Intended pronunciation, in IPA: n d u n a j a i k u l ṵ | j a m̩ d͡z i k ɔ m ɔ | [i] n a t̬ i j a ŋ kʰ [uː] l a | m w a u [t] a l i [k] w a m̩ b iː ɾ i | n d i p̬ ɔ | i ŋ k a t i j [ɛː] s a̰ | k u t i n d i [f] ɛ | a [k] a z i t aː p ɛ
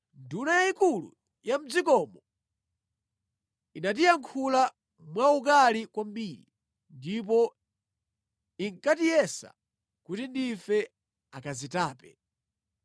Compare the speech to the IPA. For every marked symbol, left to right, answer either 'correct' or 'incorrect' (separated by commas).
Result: correct, incorrect, incorrect, correct, incorrect, correct, correct